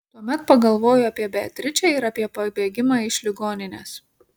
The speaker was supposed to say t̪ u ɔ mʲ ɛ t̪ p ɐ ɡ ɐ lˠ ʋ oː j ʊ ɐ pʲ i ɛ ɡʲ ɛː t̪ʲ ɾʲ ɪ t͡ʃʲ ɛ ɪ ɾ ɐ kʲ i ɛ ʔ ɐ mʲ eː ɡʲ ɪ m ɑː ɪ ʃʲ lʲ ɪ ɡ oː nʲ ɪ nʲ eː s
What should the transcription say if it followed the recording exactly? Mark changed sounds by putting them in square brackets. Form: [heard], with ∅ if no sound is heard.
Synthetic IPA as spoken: t̪ u ɔ mʲ ɛ t̪ p ɐ ɡ ɐ lˠ ʋ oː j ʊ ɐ pʲ i ɛ [bʲ] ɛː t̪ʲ ɾʲ ɪ t͡ʃʲ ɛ ɪ ɾ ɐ [pʲ] i ɛ [p] ɐ [bʲ] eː ɡʲ ɪ m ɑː ɪ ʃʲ lʲ ɪ ɡ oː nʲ ɪ nʲ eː s